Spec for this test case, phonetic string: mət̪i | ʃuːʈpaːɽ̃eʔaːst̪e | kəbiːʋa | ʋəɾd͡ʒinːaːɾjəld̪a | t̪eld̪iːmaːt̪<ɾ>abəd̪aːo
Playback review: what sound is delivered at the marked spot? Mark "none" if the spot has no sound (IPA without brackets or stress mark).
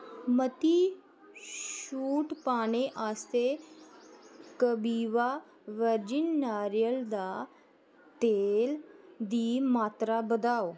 ɾ